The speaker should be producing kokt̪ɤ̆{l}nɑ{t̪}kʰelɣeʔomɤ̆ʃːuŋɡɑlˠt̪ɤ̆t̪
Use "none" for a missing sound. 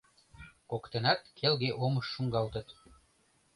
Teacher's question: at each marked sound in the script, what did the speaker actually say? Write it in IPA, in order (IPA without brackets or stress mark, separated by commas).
none, t̪